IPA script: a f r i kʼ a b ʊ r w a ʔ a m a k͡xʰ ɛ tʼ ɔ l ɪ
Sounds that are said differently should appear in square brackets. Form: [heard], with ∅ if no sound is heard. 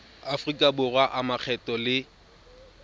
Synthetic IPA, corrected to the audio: a f r i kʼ a b ʊ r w a ʔ a m a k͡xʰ ɛ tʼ ɔ l ɪ